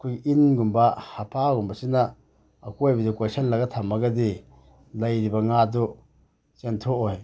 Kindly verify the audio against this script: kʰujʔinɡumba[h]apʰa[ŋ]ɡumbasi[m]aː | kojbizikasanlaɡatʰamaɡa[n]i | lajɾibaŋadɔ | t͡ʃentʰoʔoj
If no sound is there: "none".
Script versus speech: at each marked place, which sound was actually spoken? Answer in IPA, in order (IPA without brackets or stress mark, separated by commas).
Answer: h, none, n, d